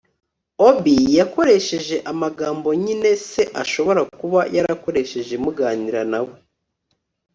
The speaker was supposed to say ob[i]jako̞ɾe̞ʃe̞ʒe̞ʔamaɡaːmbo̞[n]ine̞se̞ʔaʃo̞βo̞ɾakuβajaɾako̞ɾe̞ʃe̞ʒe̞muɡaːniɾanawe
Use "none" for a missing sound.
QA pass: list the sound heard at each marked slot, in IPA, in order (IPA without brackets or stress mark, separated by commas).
i, ɲ